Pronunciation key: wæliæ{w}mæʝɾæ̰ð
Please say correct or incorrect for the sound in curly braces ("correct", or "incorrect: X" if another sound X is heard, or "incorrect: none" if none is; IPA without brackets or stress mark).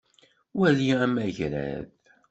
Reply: incorrect: none